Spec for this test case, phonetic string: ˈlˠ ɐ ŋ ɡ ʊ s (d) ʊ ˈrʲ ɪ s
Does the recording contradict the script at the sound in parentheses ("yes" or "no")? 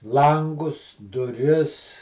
no